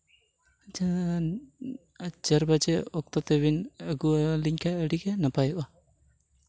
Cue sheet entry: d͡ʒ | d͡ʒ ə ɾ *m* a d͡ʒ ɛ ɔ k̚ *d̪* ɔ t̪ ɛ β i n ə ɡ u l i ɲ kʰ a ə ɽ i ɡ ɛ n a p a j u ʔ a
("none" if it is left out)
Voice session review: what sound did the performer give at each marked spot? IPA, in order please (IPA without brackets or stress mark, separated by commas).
b, t̪